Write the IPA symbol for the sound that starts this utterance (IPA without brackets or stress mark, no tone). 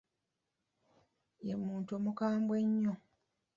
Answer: e